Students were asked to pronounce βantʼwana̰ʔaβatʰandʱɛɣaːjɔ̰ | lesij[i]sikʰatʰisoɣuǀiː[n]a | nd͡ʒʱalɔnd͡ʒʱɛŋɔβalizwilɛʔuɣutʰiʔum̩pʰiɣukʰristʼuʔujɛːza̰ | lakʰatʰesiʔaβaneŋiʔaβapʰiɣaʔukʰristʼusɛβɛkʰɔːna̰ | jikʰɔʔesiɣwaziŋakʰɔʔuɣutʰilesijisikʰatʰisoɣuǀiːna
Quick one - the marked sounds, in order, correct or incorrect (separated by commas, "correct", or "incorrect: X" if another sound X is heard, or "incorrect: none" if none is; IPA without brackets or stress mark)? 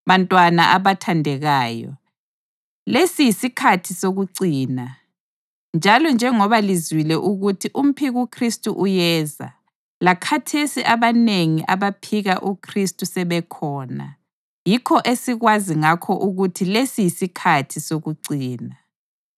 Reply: correct, correct